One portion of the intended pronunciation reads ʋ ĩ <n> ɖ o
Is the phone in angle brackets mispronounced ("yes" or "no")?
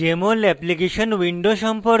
yes